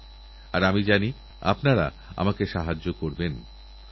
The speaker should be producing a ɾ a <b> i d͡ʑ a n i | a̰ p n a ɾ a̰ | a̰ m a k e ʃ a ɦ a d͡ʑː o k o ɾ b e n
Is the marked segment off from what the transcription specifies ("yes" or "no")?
yes